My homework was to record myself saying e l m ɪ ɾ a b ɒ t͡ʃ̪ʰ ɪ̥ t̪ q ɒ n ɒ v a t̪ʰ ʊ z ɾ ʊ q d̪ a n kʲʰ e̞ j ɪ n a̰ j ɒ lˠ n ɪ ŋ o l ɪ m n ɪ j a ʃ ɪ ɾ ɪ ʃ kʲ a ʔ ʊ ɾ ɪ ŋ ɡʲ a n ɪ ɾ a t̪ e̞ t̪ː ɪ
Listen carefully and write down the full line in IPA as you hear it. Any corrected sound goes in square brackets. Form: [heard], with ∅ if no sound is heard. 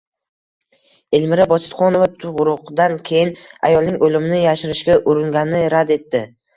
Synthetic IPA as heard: e l m ɪ ɾ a b ɒ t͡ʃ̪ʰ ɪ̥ t̪ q ɒ n [o] v a t̪ʰ ʊ [ʁ] ɾ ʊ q d̪ a n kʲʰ e̞ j ɪ n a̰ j ɒ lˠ n ɪ ŋ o l ɪ m n ɪ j a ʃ ɪ ɾ ɪ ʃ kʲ a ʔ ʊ ɾ ɪ ŋ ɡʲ a n ɪ ɾ a [d̪] e̞ t̪ː ɪ